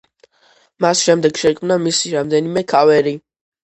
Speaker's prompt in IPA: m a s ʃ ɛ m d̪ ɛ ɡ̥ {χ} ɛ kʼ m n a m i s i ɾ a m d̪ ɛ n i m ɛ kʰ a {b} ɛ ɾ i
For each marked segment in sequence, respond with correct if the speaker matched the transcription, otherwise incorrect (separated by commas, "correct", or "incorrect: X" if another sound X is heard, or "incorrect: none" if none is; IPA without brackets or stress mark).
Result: incorrect: ʃ, incorrect: v